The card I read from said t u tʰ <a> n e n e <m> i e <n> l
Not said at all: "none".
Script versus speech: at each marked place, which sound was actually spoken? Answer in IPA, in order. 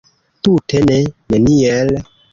e, n, none

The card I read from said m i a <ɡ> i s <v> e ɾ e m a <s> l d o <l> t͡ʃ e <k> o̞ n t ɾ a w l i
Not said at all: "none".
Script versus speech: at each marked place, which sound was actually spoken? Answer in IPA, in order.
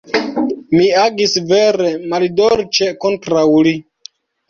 ɡ, v, none, ɾ, k

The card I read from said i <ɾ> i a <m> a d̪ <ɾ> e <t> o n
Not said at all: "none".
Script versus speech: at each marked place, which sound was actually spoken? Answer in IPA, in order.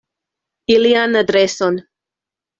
l, n, ɾ, s

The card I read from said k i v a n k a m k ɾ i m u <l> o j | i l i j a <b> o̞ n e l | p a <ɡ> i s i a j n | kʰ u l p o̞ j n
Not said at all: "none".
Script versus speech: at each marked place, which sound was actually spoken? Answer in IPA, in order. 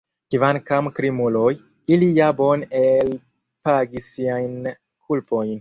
l, b, ɡ

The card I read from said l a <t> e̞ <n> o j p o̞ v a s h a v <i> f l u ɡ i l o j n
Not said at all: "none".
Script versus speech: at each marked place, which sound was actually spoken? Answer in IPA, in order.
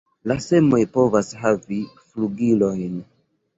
s, m, i

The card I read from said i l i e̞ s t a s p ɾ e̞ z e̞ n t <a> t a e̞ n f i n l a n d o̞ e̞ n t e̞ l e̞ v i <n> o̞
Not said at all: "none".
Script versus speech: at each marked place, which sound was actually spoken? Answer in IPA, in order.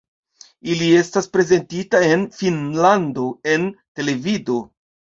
i, d

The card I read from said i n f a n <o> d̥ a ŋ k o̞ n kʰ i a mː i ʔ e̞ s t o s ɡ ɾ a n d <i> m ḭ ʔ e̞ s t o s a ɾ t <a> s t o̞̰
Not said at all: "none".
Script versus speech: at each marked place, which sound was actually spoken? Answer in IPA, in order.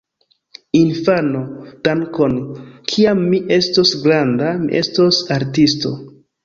o, a, i

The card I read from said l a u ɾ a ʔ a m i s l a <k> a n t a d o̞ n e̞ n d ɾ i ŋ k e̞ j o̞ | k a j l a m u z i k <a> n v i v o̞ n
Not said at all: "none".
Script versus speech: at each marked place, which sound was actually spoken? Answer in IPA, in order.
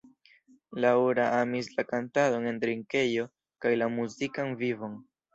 k, a

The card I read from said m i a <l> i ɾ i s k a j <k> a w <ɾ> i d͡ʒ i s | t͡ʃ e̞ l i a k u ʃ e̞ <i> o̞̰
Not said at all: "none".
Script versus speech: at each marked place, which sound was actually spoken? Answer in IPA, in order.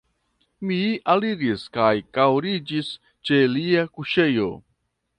l, k, ɾ, j

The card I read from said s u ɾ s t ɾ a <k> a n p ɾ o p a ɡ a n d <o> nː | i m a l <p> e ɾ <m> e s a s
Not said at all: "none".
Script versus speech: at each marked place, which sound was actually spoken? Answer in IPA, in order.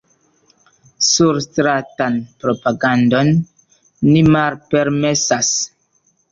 t, o, p, m

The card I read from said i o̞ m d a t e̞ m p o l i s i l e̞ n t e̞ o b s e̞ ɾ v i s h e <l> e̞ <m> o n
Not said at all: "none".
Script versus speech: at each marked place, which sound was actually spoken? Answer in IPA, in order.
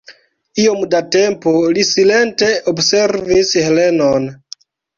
l, n

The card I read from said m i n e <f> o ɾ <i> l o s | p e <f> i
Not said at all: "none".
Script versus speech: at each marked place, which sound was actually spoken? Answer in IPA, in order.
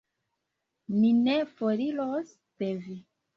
f, i, v

